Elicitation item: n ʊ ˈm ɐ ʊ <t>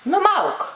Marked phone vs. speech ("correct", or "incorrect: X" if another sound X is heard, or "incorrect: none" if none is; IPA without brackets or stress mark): incorrect: k